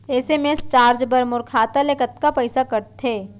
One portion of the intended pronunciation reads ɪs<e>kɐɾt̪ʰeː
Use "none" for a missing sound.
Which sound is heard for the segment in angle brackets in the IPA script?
a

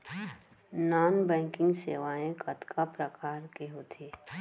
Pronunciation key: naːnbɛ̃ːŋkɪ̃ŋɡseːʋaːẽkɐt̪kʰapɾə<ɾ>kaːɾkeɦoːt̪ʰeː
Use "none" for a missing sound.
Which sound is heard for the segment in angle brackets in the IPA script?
none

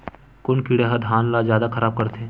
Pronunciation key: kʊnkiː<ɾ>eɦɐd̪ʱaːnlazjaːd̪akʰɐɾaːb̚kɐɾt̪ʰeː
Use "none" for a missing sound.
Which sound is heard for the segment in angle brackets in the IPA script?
ɽ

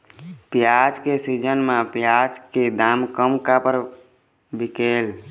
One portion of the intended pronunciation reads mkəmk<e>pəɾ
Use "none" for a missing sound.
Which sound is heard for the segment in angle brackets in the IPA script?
a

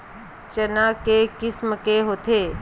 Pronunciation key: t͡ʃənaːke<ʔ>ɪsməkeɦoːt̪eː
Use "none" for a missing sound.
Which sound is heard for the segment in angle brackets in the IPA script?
k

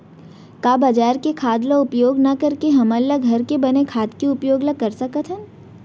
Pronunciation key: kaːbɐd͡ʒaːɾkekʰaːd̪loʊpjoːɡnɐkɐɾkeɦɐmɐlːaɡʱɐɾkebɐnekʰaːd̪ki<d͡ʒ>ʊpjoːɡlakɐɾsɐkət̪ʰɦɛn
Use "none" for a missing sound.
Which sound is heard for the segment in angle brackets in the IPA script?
none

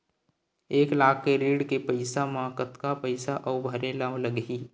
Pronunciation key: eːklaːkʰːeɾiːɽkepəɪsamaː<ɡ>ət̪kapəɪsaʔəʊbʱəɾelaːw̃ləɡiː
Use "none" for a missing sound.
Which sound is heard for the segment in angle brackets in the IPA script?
k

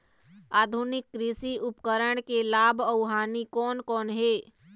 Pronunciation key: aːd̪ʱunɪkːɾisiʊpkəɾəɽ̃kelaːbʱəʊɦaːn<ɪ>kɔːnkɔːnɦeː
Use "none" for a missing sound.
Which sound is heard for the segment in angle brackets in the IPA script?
i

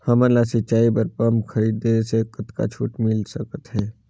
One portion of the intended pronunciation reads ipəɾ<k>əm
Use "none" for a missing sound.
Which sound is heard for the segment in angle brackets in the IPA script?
p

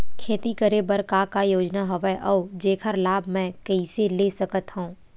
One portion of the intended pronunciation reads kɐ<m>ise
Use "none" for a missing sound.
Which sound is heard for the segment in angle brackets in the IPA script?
none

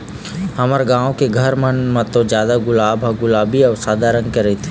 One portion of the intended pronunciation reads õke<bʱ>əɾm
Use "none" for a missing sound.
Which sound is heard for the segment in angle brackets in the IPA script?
ɡʱ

